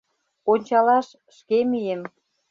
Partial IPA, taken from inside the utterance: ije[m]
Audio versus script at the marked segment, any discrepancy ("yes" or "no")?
no